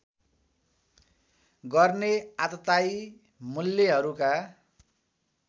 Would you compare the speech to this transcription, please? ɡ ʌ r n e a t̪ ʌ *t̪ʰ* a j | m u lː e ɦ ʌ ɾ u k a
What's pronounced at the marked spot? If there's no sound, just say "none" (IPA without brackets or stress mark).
t̪